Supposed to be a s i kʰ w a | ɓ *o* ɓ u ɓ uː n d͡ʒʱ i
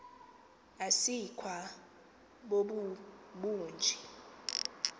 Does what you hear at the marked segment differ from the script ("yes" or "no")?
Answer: no